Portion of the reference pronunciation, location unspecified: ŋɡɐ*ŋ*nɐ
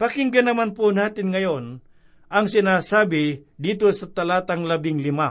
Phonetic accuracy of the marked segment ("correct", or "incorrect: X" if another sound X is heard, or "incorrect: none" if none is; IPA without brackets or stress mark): incorrect: none